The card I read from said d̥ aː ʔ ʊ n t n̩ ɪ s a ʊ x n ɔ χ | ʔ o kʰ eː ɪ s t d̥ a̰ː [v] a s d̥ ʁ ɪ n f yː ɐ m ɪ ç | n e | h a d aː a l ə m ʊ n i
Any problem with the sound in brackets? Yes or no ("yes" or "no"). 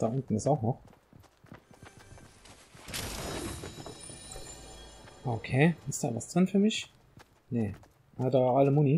no